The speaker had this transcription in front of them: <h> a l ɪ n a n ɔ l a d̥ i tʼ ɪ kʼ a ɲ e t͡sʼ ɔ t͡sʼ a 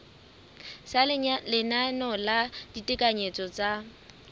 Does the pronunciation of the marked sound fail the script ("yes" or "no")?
yes